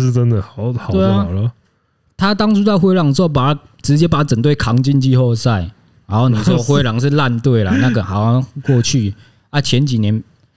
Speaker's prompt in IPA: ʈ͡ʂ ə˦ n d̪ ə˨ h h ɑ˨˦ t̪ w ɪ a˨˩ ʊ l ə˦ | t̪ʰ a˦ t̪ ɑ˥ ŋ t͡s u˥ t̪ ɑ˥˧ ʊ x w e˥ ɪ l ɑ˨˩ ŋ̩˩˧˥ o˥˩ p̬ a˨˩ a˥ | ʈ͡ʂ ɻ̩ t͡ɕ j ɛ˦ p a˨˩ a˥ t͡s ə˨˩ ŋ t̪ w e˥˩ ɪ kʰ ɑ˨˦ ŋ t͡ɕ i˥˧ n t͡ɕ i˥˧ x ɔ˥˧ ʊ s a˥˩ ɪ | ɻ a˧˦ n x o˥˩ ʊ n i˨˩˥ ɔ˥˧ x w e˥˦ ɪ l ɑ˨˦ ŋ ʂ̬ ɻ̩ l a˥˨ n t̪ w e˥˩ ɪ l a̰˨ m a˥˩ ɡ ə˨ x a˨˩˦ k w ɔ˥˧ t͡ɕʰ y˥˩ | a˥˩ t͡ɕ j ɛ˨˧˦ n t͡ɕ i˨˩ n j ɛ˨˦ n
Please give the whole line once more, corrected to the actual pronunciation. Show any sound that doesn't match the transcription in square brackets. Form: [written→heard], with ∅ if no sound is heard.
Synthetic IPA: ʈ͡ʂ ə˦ n d̪ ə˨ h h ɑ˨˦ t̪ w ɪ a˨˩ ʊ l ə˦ | t̪ʰ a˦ t̪ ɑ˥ ŋ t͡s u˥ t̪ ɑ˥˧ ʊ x w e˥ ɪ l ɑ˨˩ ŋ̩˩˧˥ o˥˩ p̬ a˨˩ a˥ | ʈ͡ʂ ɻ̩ t͡ɕ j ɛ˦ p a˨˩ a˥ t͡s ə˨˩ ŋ t̪ w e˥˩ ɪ kʰ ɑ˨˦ ŋ t͡ɕ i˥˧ n t͡ɕ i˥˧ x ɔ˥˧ ʊ s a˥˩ ɪ | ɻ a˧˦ n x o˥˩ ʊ n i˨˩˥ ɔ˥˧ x w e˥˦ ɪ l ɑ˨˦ ŋ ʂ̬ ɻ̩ l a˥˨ n t̪ w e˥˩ ɪ l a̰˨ [m→n] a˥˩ ɡ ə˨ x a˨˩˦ k w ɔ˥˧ t͡ɕʰ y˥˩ | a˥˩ [t͡ɕ→t͡ɕʰ] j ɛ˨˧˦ n t͡ɕ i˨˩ n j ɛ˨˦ n